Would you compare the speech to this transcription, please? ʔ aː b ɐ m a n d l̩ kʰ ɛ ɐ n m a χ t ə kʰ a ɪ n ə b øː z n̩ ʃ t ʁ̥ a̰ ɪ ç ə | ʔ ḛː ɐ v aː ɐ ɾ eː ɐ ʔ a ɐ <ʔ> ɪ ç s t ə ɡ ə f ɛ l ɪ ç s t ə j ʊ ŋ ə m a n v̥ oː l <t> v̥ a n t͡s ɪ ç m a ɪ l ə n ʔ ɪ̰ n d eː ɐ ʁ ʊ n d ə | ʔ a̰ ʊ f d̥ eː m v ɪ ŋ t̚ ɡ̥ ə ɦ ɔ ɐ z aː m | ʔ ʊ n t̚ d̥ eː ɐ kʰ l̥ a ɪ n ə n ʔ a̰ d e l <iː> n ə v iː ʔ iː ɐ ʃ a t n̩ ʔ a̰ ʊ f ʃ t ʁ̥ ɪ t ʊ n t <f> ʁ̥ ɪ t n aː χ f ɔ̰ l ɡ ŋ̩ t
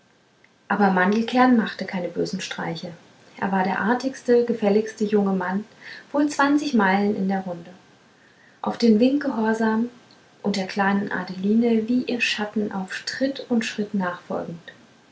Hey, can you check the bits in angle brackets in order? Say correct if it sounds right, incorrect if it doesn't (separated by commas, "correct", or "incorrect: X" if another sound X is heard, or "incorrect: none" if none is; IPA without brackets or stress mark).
incorrect: t, incorrect: t͡s, correct, incorrect: ʃ